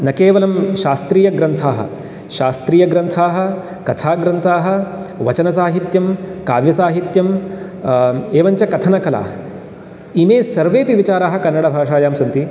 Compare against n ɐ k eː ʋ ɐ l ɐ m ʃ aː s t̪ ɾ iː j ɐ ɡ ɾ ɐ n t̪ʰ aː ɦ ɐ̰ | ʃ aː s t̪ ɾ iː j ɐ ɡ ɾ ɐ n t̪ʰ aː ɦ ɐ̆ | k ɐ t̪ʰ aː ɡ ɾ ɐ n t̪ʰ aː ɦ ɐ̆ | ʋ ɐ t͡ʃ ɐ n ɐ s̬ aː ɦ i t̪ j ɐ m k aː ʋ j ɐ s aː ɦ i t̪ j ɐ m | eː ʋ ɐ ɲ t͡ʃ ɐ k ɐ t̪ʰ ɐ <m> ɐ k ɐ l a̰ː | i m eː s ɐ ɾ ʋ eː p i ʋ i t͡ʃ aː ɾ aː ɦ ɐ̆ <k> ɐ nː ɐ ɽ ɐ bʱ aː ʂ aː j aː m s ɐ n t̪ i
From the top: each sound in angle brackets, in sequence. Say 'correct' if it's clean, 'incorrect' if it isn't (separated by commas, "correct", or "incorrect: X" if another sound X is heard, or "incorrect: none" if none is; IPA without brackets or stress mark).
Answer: incorrect: n, correct